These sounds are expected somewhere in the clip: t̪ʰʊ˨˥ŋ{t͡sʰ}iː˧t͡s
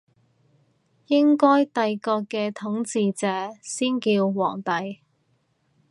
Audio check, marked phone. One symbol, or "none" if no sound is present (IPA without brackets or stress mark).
t͡s